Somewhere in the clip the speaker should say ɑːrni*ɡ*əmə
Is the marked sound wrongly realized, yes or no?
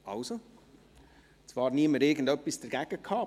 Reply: yes